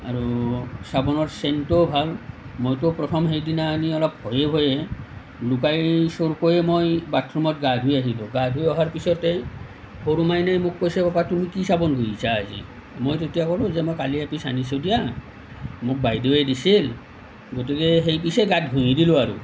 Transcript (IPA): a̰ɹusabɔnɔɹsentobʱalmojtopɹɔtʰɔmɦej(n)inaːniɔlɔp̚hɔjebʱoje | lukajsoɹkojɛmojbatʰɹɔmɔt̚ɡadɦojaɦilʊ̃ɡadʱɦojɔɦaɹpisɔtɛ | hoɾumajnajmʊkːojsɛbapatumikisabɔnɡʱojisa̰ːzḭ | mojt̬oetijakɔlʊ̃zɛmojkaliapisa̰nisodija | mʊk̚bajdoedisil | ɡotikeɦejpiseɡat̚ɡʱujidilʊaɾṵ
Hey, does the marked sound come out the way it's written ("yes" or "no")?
no